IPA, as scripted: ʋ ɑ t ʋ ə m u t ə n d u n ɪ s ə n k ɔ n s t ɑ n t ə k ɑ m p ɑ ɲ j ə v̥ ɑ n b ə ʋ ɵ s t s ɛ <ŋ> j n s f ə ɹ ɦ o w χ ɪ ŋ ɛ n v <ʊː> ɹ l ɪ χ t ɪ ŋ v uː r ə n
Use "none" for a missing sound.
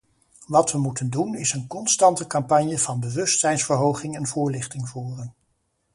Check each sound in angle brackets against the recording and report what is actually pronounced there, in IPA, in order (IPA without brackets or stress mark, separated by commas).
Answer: none, ʊː